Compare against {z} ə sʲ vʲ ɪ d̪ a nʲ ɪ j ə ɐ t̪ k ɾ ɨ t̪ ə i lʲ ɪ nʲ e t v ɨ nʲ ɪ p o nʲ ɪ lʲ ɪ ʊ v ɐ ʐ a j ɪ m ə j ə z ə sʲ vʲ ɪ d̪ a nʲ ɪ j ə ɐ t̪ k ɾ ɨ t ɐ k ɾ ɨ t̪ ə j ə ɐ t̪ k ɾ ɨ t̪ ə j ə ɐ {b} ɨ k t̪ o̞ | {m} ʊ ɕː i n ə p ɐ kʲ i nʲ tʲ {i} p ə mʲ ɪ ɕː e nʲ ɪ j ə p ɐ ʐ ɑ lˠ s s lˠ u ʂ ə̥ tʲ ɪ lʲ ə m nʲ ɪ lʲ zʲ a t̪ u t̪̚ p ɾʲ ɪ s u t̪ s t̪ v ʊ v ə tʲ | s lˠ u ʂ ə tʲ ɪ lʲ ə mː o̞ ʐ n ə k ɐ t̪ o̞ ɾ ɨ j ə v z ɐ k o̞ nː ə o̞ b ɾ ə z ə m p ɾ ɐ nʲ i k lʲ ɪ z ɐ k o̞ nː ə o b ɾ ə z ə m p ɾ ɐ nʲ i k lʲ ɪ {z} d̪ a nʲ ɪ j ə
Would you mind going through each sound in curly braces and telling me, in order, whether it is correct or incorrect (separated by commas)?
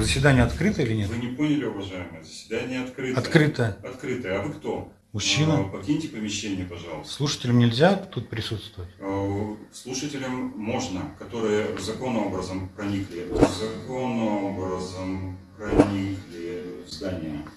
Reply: correct, incorrect, correct, incorrect, correct